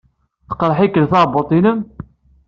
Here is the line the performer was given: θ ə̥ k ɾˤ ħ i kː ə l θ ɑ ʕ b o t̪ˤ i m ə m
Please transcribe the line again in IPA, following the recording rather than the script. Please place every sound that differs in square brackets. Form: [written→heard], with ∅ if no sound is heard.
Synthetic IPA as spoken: θ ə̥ [k→q] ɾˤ ħ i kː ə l θ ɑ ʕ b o t̪ˤ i [m→n] ə m